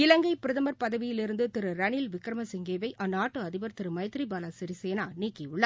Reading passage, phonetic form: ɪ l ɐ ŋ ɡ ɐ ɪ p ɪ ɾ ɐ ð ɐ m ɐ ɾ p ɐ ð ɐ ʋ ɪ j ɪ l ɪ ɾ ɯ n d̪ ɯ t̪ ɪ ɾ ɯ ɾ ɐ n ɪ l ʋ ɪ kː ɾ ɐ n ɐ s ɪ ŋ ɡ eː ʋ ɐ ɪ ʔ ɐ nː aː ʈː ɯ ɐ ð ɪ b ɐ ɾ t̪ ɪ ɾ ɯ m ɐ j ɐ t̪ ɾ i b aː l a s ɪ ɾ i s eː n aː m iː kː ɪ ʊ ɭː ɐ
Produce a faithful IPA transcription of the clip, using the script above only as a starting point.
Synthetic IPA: ɪ l ɐ ŋ ɡ ɐ ɪ p ɪ ɾ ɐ ð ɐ m ɐ ɾ p ɐ ð ɐ ʋ ɪ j ɪ l ɪ ɾ ɯ n d̪ ɯ t̪ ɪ ɾ ɯ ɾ ɐ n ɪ l ʋ ɪ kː ɾ ɐ m ɐ s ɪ ŋ ɡ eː ʋ ɐ ɪ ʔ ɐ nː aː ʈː ɯ ɐ ð ɪ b ɐ ɾ t̪ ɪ ɾ ɯ m ɐ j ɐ t̪ ɾ i b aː l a s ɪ ɾ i s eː n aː n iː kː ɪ ʊ ɭː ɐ